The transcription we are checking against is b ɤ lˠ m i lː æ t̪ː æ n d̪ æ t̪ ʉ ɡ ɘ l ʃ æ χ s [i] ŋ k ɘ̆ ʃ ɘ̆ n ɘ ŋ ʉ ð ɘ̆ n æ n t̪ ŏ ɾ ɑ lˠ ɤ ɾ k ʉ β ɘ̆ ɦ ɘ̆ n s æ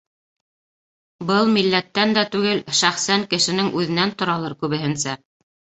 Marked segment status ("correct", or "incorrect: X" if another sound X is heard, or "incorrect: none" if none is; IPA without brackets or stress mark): incorrect: æ